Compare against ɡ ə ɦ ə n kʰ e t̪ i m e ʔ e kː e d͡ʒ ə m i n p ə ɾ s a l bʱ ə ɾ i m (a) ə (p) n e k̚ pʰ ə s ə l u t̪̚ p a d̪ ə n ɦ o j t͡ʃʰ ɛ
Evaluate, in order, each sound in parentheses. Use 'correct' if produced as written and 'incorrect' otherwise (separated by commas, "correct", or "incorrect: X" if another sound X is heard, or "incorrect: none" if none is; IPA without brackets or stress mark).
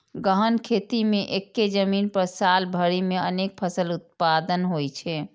incorrect: e, incorrect: none